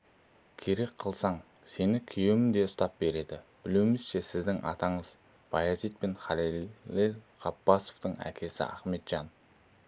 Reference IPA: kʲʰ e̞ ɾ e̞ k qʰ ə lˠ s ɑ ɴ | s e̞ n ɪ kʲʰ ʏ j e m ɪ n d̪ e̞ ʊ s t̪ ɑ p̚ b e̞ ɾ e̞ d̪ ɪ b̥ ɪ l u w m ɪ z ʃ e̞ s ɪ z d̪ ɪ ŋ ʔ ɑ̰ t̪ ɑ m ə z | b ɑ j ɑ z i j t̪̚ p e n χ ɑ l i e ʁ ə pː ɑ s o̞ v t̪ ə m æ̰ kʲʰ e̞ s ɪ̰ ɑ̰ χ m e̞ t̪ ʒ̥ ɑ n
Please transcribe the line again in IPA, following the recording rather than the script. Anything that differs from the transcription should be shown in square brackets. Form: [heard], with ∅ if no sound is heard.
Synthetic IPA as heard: kʲʰ e̞ ɾ e̞ k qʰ ə lˠ s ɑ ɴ | s e̞ n ɪ kʲʰ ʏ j e m ɪ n d̪ e̞ ʊ s t̪ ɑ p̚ b e̞ ɾ e̞ d̪ ɪ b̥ ɪ l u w m ɪ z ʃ e̞ s ɪ z d̪ ɪ ŋ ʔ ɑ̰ t̪ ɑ [ɴ] ə z | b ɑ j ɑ z i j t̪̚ p e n χ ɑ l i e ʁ [ɑ] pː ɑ s o̞ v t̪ ə [ɴ] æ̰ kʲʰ e̞ s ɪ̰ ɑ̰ χ m e̞ t̪ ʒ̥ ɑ n